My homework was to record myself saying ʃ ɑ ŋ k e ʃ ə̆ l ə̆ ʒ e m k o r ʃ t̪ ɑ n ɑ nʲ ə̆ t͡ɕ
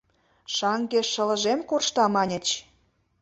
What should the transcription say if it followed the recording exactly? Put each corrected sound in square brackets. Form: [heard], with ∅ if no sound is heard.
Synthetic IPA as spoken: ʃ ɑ ŋ [ɡ] e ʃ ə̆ l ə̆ ʒ e m k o r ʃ t̪ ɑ [m] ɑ nʲ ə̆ t͡ɕ